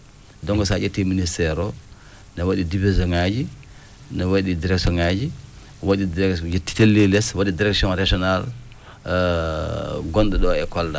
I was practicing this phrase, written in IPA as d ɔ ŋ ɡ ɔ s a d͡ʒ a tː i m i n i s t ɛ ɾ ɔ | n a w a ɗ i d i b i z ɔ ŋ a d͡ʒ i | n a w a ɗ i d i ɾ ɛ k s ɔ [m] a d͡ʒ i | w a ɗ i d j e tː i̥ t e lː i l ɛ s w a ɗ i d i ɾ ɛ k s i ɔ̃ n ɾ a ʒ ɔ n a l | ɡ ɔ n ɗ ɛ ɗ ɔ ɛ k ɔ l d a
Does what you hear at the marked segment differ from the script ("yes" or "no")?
yes